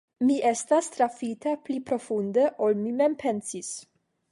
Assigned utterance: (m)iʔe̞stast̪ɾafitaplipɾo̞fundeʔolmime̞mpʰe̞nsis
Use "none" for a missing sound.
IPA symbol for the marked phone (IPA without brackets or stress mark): m